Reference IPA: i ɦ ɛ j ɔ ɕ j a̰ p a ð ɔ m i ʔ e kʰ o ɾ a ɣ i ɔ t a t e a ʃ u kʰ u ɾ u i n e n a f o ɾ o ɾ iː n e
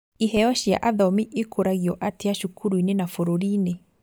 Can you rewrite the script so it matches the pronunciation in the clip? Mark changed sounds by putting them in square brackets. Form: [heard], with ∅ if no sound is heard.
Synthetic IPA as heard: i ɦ ɛ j ɔ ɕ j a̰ [ʔ] a ð ɔ m i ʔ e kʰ o ɾ a ɣ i ɔ [ʔ] a t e a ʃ u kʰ u ɾ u i n e n a f o ɾ o ɾ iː n e